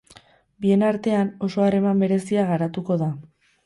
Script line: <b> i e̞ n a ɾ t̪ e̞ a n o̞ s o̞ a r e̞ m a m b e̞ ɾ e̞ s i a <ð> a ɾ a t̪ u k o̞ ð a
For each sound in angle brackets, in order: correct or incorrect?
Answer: correct, incorrect

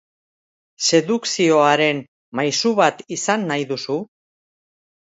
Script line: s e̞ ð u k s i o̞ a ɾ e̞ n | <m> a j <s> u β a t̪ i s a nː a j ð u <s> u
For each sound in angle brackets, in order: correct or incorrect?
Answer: correct, correct, correct

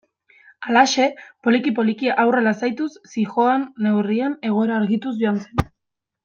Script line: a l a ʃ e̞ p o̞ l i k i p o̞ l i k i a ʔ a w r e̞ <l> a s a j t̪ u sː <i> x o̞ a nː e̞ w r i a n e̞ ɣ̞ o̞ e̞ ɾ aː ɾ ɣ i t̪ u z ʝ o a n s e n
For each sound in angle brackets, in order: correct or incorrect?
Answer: correct, correct

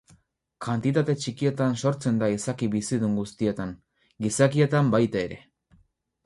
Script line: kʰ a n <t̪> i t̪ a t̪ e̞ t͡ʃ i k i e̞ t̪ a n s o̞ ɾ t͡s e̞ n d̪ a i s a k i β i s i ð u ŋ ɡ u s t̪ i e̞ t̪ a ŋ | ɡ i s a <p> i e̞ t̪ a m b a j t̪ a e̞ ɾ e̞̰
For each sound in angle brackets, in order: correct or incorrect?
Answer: correct, incorrect

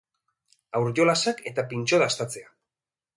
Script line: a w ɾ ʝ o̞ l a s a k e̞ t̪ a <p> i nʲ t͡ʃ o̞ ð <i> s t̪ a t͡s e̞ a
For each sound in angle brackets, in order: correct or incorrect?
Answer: correct, incorrect

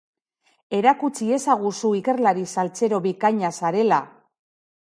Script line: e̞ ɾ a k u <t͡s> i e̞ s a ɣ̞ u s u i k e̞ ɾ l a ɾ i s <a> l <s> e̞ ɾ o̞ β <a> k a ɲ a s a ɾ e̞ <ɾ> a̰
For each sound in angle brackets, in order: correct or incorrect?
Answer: correct, correct, incorrect, incorrect, incorrect

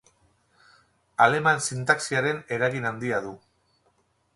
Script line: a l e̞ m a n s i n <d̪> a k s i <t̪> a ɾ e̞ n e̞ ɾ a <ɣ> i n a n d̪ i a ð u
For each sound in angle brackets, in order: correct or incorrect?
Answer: incorrect, incorrect, correct

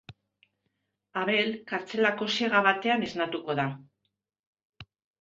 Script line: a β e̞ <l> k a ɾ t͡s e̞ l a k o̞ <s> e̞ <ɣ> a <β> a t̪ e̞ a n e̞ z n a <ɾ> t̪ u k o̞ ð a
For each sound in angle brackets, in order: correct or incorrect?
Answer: correct, correct, correct, correct, incorrect

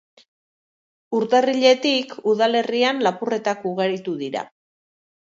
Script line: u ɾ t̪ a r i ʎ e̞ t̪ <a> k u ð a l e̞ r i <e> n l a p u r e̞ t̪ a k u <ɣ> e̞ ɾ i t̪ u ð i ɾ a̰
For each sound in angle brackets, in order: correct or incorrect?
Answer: incorrect, incorrect, correct

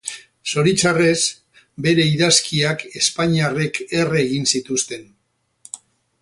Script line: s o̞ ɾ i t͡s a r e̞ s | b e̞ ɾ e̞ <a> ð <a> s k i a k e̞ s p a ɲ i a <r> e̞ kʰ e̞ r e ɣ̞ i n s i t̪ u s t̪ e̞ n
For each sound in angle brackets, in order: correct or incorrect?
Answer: incorrect, correct, correct

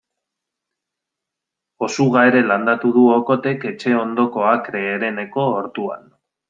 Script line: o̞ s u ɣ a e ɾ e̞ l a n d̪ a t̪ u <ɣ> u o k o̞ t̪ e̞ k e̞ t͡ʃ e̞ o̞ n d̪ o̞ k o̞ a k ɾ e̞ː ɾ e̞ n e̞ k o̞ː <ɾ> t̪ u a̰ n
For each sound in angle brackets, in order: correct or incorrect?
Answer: incorrect, correct

